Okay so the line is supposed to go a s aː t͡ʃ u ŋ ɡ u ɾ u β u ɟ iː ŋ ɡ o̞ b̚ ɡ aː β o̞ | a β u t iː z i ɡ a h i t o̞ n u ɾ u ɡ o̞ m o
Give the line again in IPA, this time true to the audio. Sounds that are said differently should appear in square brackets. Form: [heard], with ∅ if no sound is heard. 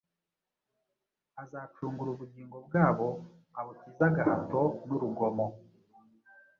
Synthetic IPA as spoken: a [z] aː t͡ʃ [uː] ŋ ɡ u ɾ u β u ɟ iː ŋ ɡ o̞ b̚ ɡ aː β o̞ | a β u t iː z [a] ɡ a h [a] t o̞ n u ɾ u ɡ o̞ m o